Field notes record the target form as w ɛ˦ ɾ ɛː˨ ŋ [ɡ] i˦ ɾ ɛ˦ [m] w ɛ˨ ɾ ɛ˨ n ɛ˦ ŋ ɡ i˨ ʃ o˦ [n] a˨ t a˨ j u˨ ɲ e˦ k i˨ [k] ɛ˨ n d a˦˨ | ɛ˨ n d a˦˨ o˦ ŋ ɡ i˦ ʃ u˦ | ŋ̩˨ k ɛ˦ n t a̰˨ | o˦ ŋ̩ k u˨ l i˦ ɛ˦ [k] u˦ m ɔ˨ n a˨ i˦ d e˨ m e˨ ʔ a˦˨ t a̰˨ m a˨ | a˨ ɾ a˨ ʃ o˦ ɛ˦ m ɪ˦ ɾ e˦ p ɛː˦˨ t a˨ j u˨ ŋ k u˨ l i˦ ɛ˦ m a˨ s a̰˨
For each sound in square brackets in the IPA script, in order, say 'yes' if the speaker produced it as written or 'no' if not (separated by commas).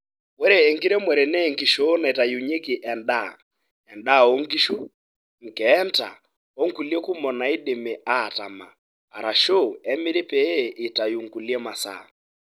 yes, yes, yes, no, yes